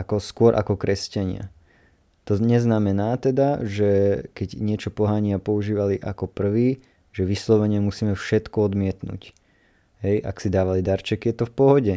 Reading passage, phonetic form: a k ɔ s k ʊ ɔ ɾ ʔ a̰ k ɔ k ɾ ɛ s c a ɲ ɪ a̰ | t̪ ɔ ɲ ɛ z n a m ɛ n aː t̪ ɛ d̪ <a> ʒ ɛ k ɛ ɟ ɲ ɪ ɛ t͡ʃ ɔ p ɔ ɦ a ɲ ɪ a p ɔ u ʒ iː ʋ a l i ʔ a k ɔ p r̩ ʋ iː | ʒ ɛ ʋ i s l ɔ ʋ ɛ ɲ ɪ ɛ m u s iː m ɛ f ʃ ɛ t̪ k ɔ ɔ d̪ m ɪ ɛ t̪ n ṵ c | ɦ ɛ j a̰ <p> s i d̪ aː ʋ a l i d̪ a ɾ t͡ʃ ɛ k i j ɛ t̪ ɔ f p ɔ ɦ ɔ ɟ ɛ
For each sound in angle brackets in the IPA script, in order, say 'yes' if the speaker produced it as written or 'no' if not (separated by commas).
yes, no